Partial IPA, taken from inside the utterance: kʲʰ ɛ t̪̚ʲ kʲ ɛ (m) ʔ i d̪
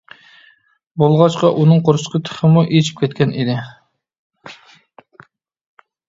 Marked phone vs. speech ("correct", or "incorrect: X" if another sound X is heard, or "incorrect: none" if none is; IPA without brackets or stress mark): incorrect: n